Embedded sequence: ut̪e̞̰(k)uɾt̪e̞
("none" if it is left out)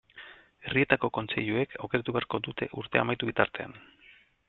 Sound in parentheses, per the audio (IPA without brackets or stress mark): ʔ